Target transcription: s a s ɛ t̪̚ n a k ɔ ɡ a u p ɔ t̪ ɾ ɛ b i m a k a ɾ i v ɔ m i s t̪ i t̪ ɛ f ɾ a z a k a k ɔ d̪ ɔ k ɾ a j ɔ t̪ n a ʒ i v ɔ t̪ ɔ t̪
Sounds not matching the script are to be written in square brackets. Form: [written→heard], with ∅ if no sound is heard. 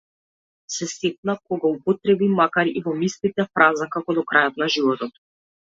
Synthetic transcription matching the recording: s [a→ɛ] s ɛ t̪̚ n a k ɔ ɡ a u p ɔ t̪ ɾ ɛ b i m a k a ɾ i v ɔ m i s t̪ i t̪ ɛ f ɾ a z a k a k ɔ d̪ ɔ k ɾ a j ɔ t̪ n a ʒ i v ɔ t̪ ɔ t̪